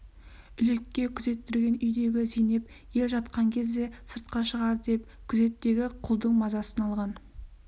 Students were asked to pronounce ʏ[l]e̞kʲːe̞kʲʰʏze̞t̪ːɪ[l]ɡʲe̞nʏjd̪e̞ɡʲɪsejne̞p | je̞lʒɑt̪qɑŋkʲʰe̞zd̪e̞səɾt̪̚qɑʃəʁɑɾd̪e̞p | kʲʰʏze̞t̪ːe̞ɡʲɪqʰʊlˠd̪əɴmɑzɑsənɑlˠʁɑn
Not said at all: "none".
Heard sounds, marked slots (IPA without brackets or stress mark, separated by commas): l, ɾ